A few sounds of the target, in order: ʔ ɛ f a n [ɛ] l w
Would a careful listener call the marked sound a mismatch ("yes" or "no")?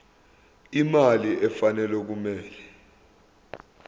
no